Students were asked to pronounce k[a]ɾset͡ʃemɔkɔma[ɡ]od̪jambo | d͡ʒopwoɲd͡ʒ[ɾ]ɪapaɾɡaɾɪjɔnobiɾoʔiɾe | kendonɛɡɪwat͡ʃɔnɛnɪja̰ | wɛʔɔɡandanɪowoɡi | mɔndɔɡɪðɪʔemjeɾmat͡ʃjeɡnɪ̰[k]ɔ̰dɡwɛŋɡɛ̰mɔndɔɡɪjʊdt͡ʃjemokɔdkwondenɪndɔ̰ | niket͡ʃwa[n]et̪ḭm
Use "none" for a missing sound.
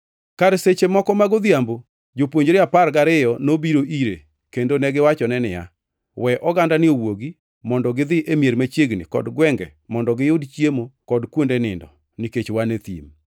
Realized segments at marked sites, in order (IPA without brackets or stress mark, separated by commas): a, ɡ, ɾ, k, n